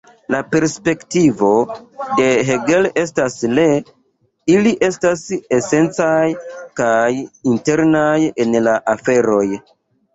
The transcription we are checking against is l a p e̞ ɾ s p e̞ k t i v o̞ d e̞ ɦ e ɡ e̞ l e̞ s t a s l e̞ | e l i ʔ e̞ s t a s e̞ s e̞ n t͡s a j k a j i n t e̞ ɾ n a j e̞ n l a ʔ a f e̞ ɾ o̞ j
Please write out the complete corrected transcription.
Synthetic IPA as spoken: l a p e̞ ɾ s p e̞ k t i v o̞ d e̞ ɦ e ɡ e̞ l e̞ s t a s l e̞ | i l i ʔ e̞ s t a s e̞ s e̞ n t͡s a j k a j i n t e̞ ɾ n a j e̞ n l a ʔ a f e̞ ɾ o̞ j